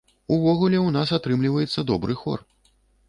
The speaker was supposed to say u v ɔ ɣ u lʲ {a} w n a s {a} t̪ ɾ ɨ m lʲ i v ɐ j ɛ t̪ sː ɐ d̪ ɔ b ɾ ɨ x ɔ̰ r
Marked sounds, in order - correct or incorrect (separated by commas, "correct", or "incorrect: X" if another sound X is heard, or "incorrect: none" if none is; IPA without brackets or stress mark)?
incorrect: ɛ, correct